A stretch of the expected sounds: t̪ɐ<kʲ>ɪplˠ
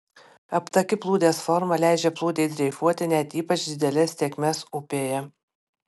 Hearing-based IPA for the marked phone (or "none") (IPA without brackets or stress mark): kʲ